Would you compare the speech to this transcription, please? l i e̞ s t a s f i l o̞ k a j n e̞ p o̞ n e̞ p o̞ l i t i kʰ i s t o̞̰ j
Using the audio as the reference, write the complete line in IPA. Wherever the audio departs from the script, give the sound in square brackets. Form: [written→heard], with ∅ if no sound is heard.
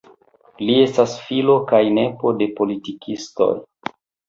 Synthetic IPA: l i e̞ s t a s f i l o̞ k a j n e̞ p o̞ [n→d] e̞ p o̞ l i t i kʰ i s t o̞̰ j